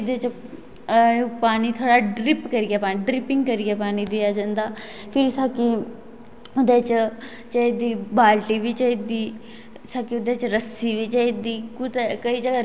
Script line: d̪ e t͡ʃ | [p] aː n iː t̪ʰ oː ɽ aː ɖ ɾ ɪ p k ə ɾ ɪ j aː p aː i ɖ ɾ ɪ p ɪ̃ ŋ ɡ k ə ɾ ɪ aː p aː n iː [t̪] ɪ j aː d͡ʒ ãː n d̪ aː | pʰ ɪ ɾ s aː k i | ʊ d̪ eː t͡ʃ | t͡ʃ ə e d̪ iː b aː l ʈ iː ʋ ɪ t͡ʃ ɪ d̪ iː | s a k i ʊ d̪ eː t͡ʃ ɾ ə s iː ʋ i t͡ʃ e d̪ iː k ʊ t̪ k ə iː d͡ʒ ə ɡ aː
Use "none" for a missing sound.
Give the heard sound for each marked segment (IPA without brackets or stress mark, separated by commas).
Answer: p, d̪